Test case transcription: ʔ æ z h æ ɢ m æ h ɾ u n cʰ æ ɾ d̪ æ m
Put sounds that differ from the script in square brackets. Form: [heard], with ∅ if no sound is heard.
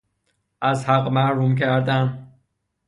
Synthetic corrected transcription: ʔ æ z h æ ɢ m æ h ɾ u [m] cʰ æ ɾ d̪ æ [n]